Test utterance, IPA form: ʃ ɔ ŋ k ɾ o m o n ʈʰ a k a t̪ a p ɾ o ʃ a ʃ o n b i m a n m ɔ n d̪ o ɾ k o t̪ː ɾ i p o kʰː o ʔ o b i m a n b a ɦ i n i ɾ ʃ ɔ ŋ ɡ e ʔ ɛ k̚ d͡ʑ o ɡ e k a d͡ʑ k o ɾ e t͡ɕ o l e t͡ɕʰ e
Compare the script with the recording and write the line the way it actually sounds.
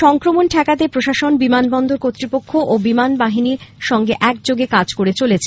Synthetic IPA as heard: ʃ ɔ ŋ k ɾ o m o n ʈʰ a k a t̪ e p ɾ o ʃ a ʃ o n b i m a n b ɔ n d̪ o ɾ k o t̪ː ɾ i p o kʰː o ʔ o b i m a n b a ɦ i n i ɾ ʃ ɔ ŋ ɡ e ʔ ɛ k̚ d͡ʑ o ɡ e k a d͡ʑ k o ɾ e t͡ɕ o l e t͡ɕʰ e